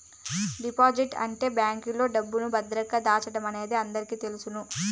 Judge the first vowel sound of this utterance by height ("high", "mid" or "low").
high